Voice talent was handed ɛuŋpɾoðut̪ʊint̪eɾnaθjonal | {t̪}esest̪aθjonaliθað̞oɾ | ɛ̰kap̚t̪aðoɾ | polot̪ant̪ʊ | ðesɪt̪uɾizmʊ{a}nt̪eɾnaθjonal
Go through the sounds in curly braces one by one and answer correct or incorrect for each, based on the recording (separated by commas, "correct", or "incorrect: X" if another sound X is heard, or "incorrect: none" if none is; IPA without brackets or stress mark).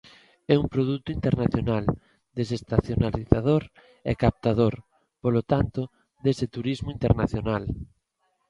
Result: incorrect: d̪, incorrect: i